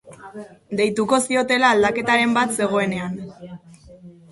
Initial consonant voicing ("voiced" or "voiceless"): voiced